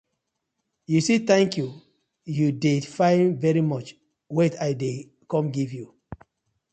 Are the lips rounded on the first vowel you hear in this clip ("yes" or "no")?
yes